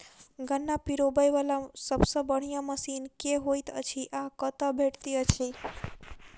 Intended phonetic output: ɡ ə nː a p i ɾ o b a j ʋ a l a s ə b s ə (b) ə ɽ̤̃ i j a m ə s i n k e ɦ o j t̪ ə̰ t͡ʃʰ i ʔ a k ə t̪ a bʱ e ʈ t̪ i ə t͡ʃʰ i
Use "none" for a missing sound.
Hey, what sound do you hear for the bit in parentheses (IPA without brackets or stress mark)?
b